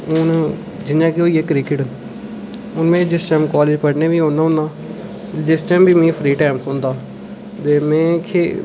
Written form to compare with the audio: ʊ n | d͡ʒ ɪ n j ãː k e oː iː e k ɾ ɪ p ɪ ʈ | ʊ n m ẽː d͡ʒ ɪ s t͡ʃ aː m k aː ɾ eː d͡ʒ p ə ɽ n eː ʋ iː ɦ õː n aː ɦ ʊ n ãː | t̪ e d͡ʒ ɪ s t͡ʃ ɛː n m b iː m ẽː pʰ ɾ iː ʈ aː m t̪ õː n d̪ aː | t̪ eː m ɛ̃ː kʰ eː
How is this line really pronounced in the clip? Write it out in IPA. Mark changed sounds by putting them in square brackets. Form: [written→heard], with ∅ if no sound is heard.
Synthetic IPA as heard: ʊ n | d͡ʒ ɪ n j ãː k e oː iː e k ɾ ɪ [p→k] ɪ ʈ | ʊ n m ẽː d͡ʒ ɪ s t͡ʃ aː m k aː [ɾ→l] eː d͡ʒ p ə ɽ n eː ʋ iː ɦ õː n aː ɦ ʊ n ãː | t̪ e d͡ʒ ɪ s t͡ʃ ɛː [n→∅] m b iː m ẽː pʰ ɾ iː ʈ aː m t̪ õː n d̪ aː | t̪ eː m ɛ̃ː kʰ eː